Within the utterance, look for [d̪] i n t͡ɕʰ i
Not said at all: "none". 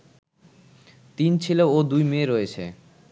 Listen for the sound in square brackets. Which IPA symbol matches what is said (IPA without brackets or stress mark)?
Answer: t̪